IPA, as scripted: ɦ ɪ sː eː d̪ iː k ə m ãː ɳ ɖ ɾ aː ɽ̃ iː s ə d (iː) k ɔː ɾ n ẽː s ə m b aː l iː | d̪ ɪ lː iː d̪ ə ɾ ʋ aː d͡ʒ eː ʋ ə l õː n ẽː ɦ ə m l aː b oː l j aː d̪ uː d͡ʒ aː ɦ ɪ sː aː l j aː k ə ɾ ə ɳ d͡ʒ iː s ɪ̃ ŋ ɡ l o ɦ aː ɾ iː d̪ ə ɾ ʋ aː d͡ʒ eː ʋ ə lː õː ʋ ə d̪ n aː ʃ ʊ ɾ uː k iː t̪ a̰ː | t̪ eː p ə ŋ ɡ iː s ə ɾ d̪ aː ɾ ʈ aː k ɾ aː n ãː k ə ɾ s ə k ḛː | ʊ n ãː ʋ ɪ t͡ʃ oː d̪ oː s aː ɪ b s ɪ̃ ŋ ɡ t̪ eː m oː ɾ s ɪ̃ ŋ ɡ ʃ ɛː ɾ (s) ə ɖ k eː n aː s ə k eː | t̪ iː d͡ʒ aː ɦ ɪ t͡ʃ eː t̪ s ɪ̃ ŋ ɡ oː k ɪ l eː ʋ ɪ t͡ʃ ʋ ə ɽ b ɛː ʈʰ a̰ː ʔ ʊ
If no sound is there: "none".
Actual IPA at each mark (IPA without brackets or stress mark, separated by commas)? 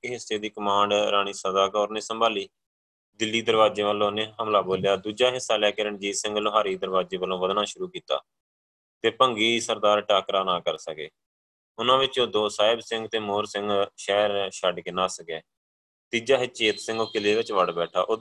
aː, ʃ